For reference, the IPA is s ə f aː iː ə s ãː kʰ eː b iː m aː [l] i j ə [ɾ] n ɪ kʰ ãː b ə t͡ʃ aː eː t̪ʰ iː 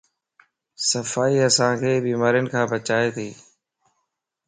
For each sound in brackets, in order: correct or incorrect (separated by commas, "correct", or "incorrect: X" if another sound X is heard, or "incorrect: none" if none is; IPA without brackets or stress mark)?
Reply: incorrect: ɾ, incorrect: none